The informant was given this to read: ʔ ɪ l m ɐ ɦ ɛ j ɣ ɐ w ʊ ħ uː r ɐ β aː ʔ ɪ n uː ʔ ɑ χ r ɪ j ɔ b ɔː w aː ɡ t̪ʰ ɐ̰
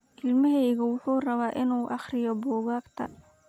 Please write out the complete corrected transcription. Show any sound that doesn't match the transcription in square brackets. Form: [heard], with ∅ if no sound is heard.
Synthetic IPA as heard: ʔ ɪ l m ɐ ɦ ɛ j ɣ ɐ w ʊ ħ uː r ɐ β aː ʔ ɪ n uː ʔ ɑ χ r ɪ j ɔ b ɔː [ɣ] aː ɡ t̪ʰ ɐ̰